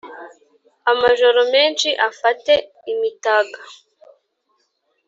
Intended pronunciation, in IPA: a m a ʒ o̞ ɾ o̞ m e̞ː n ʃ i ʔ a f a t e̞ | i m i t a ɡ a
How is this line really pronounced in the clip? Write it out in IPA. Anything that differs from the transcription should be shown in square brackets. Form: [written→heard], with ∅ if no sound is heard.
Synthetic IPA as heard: a m a ʒ o̞ ɾ o̞ m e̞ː n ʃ i ʔ a f a t e̞ | i m i t a ɡ a